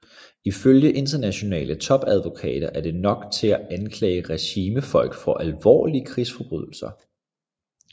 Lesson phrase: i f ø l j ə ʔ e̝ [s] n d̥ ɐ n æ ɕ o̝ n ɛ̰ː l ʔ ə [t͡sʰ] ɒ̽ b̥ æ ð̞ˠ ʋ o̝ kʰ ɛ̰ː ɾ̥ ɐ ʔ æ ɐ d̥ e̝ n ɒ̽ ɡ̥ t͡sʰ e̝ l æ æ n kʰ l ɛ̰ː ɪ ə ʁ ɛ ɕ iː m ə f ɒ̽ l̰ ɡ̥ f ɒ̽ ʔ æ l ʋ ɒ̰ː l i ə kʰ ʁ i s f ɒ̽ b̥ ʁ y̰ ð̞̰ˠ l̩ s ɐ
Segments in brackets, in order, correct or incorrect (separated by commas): incorrect, correct